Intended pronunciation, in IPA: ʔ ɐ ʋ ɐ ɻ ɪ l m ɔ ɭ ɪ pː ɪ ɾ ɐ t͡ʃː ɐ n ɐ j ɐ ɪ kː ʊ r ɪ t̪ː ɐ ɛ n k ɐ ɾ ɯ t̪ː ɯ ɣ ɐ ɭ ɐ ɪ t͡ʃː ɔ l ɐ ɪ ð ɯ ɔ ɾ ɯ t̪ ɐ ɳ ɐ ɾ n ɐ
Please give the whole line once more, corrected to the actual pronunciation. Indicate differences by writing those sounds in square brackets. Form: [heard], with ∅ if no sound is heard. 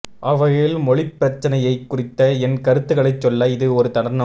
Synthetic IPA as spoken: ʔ ɐ ʋ ɐ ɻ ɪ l m ɔ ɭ ɪ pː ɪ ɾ ɐ t͡ʃː ɐ n ɐ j ɐ ɪ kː ʊ r ɪ t̪ː ɐ ɛ n k ɐ ɾ ɯ t̪ː ɯ ɣ ɐ ɭ ɐ ɪ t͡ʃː ɔ [lː] ɐ ɪ ð ɯ ɔ ɾ ɯ t̪ ɐ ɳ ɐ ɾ n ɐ